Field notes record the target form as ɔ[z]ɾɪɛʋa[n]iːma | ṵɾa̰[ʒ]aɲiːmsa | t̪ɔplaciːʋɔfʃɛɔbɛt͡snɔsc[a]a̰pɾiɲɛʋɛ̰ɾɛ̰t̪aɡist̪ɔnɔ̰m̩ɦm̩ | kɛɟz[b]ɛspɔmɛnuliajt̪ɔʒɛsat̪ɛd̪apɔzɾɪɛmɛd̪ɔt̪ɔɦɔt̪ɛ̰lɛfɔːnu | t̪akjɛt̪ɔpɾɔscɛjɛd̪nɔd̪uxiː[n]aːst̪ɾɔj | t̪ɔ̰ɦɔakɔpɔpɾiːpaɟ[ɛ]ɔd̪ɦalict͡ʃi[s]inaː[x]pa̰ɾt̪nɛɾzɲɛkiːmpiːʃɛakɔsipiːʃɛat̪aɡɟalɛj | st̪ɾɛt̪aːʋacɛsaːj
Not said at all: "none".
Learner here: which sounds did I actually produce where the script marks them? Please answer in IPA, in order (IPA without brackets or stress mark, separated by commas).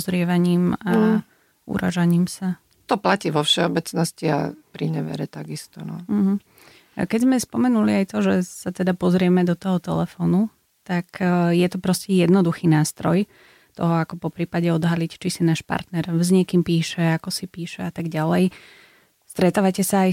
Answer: z, ɲ, ʒ, i, m, n, ɛ, s, ʃ